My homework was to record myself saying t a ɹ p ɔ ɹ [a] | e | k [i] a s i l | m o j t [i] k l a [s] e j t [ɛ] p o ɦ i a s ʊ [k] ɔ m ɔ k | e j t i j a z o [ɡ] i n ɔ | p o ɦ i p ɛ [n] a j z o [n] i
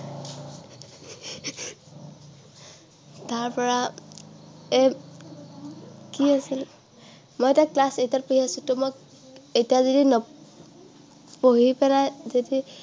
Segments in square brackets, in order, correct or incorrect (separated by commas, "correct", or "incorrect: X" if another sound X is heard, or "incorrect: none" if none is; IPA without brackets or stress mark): correct, correct, incorrect: a, correct, incorrect: a, incorrect: t, incorrect: d, correct, incorrect: d